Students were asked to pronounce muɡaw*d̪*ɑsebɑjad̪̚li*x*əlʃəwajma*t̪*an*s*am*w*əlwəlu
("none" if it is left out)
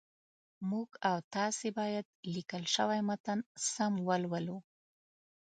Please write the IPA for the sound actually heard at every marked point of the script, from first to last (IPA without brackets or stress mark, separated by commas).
t̪, k, t̪, s, w